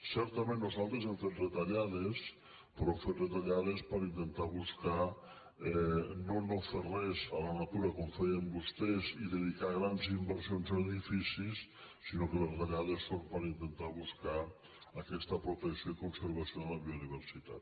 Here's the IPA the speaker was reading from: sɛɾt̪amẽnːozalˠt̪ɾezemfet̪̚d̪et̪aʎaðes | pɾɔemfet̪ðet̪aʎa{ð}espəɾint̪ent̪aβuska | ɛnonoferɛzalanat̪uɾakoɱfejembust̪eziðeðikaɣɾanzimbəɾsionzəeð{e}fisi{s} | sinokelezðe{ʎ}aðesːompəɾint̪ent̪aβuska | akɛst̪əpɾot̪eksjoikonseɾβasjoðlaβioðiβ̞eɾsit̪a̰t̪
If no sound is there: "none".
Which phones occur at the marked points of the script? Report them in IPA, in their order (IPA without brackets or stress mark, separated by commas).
ð, i, s, ʎ